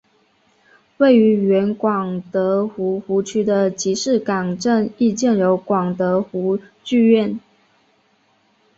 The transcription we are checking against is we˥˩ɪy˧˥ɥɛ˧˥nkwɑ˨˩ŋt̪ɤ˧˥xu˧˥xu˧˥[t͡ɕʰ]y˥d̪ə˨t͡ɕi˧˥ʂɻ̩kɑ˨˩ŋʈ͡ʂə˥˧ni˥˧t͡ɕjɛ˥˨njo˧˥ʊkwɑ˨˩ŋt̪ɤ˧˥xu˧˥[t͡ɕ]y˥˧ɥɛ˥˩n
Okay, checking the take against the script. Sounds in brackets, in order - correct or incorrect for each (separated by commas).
correct, correct